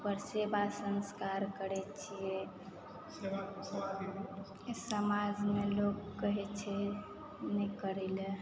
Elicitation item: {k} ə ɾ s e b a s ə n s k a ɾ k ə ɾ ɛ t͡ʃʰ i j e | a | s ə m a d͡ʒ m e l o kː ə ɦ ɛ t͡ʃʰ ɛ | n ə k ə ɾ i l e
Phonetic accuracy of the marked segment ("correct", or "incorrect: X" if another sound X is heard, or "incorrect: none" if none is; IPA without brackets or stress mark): incorrect: p